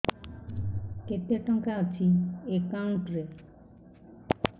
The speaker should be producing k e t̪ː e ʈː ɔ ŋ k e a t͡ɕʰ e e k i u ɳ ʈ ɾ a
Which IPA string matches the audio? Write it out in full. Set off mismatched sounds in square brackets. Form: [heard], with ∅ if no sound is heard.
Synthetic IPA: k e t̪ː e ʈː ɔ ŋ k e a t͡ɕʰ [i] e k [a] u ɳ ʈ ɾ [e]